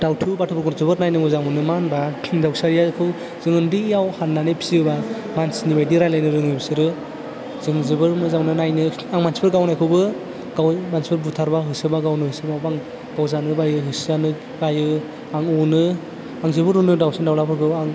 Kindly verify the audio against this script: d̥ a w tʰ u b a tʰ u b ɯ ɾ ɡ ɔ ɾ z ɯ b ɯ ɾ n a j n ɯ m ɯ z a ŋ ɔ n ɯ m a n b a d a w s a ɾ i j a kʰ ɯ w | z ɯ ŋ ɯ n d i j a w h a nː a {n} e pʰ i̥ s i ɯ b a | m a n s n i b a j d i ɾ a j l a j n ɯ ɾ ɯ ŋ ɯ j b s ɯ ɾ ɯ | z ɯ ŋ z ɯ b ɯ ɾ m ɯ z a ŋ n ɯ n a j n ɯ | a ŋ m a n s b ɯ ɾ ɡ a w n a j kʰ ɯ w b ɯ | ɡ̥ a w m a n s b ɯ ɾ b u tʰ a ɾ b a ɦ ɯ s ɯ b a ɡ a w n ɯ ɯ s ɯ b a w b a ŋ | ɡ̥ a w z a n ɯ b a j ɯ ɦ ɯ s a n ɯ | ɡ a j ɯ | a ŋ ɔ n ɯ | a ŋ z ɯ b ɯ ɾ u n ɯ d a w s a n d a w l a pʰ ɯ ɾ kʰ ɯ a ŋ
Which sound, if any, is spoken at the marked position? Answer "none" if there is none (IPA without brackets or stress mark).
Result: n